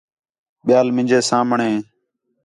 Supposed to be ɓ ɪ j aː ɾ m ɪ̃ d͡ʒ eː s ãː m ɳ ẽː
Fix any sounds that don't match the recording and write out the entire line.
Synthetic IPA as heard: ɓ ɪ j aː l m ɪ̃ d͡ʒ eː s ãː m ɳ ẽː